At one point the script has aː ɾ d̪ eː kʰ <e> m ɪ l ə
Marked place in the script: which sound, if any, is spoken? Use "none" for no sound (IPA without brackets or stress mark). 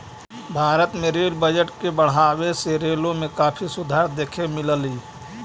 e